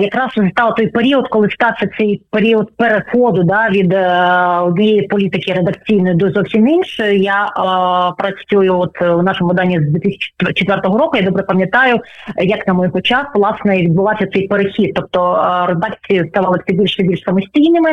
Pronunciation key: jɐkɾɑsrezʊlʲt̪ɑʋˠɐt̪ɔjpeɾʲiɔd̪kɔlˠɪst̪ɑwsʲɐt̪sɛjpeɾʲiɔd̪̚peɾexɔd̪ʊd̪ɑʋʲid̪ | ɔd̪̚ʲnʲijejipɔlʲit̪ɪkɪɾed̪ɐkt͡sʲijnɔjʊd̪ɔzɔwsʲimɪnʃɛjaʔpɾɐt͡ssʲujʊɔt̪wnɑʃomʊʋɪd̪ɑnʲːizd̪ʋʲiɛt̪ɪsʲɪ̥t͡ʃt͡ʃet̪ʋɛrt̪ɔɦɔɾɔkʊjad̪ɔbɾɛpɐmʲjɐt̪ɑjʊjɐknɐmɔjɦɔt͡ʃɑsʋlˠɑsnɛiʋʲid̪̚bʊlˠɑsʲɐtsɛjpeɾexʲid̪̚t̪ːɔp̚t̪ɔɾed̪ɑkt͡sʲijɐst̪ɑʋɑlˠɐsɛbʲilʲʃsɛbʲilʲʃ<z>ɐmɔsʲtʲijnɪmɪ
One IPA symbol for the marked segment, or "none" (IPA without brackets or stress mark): s